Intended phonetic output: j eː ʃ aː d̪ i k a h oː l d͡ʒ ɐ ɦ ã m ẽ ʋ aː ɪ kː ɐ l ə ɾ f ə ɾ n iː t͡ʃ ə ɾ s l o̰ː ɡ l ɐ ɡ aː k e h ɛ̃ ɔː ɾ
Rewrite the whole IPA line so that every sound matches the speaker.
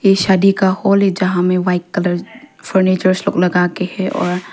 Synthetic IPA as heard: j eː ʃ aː d̪ i k a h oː l d͡ʒ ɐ ɦ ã m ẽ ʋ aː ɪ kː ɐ l ə ɾ f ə ɾ n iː t͡ʃ ə ɾ s l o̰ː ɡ l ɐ ɡ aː k e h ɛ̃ ɔː ɾ

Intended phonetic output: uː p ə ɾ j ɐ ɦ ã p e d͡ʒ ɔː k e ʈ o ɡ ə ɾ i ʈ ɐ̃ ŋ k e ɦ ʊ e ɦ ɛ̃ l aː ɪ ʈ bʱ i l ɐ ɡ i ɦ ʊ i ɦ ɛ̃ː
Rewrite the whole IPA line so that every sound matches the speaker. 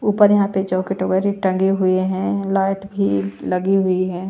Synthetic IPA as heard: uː p ə ɾ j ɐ ɦ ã p e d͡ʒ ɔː k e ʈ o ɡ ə ɾ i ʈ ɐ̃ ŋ ɡ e ɦ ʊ e ɦ ɛ̃ l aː ɪ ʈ bʱ i l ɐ ɡ i ɦ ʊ i ɦ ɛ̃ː

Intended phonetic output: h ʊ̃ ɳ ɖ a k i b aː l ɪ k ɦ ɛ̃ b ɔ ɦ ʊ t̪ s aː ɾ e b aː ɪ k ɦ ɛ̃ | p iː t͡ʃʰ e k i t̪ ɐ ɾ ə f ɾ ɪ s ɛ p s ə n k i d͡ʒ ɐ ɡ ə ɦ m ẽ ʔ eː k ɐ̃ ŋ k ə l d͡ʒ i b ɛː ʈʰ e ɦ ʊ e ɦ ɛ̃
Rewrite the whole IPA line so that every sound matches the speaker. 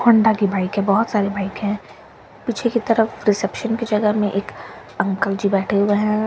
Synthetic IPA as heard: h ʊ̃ ɳ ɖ a k i b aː ɪ k ɦ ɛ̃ b ɔ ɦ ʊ t̪ s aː ɾ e b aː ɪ k ɦ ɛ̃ | p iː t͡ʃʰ e k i t̪ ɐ ɾ ə f ɾ ɪ s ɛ p ʃ ə n k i d͡ʒ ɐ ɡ ə ɦ m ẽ ʔ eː k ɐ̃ ŋ k ə l d͡ʒ i b ɛː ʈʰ e ɦ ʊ e ɦ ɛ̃

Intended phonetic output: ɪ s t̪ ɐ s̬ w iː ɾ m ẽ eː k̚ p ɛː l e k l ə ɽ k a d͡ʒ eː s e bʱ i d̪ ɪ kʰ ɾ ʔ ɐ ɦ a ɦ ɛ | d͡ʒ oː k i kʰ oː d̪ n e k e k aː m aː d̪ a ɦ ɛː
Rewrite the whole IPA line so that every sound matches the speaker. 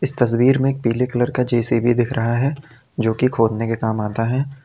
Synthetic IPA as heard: ɪ s t̪ ɐ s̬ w iː ɾ m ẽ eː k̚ p iː l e k l ə ɾ k a d͡ʒ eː s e bʱ i d̪ ɪ kʰ ɾ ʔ ɐ ɦ a ɦ ɛ | d͡ʒ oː k i kʰ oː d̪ n e k e k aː m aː t̪ a ɦ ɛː

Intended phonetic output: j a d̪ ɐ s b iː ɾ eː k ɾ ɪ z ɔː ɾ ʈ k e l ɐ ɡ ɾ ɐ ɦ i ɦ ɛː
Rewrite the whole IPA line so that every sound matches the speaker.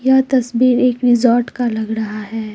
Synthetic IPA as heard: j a t̪ ɐ s b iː ɾ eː k ɾ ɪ z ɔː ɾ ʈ k a l ɐ ɡ ɾ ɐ ɦ a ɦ ɛː

